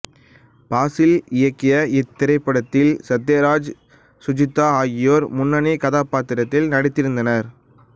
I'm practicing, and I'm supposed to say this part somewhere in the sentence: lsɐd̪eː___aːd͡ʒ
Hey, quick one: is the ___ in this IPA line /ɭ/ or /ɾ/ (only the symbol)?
ɾ